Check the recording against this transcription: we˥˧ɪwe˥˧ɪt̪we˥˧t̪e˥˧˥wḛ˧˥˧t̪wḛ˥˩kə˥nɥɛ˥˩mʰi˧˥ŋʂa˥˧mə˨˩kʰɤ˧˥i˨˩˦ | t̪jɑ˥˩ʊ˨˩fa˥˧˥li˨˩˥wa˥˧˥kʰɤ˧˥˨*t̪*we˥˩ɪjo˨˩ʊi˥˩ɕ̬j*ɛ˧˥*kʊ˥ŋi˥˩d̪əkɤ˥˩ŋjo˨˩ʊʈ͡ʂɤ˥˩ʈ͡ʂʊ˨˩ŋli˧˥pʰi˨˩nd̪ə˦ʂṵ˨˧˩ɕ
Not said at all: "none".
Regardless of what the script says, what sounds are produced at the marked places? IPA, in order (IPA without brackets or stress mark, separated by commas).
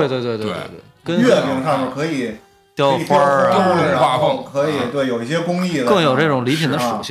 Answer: t̪, ɛ˥